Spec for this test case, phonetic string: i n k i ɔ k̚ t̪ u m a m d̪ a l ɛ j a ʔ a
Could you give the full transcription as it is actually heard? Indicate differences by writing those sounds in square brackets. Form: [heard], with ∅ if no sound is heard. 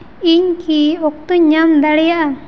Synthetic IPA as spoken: i [ɲ] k i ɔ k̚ t̪ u [ɲ] a m d̪ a [ɽ] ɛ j a ʔ a